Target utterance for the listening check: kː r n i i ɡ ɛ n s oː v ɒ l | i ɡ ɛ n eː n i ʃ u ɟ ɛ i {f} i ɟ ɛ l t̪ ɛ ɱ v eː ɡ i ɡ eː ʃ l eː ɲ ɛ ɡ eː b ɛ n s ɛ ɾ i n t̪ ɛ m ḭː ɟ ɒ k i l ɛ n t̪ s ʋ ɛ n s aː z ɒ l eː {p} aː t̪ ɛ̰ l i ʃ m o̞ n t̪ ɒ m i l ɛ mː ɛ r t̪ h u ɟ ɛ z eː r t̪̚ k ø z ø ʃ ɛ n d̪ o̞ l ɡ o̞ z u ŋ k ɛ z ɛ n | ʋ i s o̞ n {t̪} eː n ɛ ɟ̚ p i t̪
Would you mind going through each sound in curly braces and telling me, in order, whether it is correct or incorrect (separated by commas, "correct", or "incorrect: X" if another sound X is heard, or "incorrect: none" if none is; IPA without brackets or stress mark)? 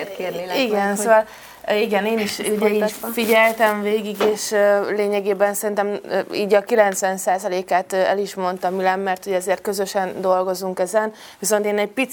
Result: correct, incorrect: k, correct